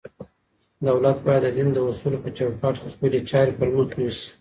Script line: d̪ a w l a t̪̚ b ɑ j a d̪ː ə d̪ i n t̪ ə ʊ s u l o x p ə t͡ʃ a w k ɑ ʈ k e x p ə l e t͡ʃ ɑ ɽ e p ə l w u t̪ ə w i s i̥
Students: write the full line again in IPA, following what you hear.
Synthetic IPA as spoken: d̪ a w l a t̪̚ b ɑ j a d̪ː ə d̪ i n d̪ ə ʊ s u l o p ə t͡ʃ a w k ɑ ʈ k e x p ə l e t͡ʃ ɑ ɾ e p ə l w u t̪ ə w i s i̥

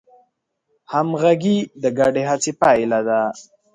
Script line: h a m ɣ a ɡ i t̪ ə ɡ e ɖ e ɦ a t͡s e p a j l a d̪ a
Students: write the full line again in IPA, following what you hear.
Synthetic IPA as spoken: h a m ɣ a ɡ i d̪ ə ɡ a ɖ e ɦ a t͡s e p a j l a d̪ a

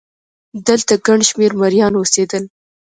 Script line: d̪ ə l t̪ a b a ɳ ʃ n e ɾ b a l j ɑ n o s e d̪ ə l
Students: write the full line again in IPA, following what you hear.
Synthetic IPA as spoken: d̪ ə l t̪ a ɡ a ɳ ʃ m e ɾ m a ɾ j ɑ n o s e d̪ ə l

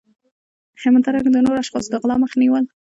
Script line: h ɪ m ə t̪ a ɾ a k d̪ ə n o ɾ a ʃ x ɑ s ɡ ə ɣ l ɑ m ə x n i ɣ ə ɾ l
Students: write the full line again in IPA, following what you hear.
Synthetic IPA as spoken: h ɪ m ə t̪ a ɾ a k d̪ ə n o ɾ a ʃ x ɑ s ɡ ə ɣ l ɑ m ə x n i w ə l

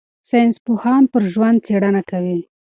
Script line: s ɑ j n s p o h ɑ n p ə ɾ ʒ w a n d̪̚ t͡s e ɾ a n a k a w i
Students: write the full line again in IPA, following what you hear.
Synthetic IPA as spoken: s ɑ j n s p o h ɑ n p ə ɾ ʒ w a n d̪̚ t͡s e ɽ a n a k a w i

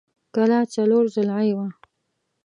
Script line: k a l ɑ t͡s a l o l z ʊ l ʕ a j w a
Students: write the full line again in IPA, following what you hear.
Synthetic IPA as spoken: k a l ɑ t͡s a l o ɾ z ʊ l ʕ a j w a

